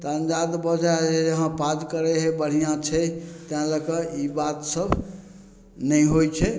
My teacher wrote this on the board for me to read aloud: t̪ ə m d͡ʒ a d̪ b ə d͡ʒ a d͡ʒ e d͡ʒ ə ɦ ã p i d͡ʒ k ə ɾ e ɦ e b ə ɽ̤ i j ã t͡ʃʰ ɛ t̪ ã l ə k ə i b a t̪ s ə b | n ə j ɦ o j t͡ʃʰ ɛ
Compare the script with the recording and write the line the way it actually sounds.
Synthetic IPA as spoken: t̪ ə n d͡ʒ a d̪ b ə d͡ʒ a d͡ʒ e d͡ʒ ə ɦ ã p a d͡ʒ k ə ɾ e ɦ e b ə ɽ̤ i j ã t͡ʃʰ ɛ t̪ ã l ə k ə i b a t̪ s ə b | n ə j ɦ o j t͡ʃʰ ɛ